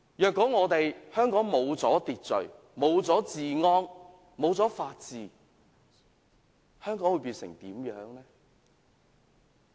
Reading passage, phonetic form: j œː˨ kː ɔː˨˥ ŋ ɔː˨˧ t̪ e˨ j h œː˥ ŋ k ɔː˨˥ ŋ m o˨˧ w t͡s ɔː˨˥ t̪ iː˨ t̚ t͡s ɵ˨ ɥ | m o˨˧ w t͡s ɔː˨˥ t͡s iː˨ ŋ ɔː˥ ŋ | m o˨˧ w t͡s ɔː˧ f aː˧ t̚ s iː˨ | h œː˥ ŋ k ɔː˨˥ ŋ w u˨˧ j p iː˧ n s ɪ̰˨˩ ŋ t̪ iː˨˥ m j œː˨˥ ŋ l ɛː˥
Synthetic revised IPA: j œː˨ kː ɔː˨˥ ŋ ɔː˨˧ t̪ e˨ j h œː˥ ŋ k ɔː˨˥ ŋ m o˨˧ w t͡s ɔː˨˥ t̪ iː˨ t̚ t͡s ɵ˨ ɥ | m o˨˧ w t͡s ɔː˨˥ t͡s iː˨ ŋ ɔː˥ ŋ | m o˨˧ w t͡s ɔː˨˥ f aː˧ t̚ t͡s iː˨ | h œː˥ ŋ k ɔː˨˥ ŋ w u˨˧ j p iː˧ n s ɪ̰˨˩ ŋ t̪ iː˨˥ m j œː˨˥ ŋ l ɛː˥